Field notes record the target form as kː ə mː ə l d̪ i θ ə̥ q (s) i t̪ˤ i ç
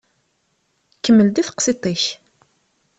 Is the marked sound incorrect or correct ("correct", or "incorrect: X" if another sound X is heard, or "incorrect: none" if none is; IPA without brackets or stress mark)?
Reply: correct